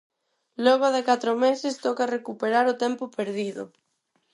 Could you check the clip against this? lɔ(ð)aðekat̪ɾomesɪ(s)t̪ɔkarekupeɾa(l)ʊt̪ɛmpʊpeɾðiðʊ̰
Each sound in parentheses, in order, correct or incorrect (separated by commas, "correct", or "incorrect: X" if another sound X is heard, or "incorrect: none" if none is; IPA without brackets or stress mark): incorrect: ɣ, correct, incorrect: ɾ